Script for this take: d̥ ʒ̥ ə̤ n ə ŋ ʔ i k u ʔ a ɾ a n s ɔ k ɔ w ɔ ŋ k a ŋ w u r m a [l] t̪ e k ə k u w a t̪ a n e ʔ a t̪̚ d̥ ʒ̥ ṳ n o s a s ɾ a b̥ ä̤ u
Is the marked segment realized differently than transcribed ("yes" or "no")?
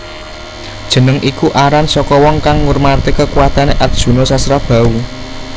yes